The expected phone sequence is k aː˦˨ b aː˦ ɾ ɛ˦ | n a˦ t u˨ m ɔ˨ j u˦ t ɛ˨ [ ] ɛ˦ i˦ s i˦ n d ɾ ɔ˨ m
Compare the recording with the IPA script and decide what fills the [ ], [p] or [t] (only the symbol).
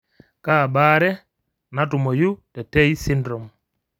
t